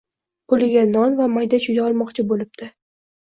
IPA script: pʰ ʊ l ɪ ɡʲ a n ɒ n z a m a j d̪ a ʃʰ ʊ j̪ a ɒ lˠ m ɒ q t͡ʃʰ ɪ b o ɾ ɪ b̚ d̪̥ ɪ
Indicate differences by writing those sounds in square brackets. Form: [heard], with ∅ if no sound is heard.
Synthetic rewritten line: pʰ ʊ l ɪ ɡʲ a n ɒ n [v] a m a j d̪ a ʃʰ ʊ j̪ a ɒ lˠ m ɒ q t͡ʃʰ ɪ b o [l] ɪ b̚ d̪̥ ɪ